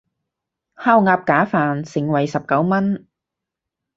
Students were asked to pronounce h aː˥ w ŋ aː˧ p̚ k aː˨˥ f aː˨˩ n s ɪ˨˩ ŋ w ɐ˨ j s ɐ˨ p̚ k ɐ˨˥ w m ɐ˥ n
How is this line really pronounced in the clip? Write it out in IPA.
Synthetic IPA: h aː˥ w ŋ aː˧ p̚ k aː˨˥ f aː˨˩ n s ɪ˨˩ ŋ w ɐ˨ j s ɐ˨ p̚ k ɐ˨˥ w m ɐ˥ n